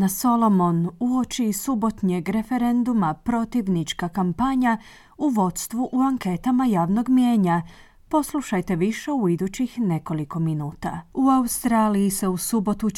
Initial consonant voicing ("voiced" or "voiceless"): voiced